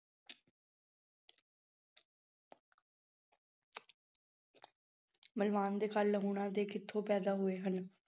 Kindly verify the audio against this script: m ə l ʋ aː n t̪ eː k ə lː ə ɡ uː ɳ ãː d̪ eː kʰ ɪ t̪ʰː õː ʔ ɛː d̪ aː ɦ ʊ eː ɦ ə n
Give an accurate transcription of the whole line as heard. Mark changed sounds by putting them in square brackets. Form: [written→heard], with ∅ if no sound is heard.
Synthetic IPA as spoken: m ə l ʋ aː n [t̪→d̪] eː k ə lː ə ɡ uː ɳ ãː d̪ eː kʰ ɪ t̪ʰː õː [ʔ→p] ɛː d̪ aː ɦ ʊ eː ɦ ə n